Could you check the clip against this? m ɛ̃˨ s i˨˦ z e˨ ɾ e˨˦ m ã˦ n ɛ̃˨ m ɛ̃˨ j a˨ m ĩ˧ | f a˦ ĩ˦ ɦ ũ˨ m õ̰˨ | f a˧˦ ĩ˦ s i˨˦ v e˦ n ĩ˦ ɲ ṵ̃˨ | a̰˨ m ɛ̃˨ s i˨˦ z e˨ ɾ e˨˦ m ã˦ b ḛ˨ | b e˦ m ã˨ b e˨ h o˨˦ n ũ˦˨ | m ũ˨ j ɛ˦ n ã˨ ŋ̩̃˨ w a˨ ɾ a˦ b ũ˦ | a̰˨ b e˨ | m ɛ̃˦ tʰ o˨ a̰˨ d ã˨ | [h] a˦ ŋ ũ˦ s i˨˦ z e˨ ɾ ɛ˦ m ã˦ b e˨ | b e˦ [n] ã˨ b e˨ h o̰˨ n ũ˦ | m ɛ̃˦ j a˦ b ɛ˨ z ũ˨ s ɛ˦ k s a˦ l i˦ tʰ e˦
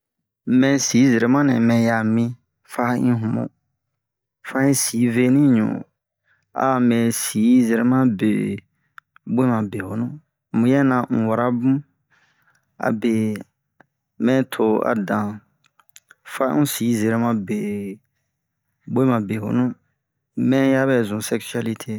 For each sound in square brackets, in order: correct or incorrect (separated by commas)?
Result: incorrect, incorrect